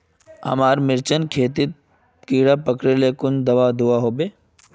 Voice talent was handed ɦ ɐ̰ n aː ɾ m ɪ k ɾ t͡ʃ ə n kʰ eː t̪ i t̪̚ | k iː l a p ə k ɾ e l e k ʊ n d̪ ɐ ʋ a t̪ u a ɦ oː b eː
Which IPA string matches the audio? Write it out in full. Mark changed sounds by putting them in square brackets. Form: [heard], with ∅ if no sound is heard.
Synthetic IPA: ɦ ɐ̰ [m] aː ɾ m ɪ [∅] ɾ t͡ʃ ə n kʰ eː t̪ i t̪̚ | k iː [ɽ] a p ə k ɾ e l e k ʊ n d̪ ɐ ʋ a [d̪] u a ɦ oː b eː